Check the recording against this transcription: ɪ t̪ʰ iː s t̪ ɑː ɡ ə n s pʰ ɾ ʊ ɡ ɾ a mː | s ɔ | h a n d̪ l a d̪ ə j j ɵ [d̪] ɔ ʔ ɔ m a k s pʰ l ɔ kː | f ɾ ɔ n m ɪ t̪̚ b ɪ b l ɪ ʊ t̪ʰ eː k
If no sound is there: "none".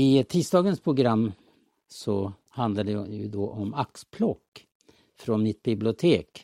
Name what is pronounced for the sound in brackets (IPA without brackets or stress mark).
d̪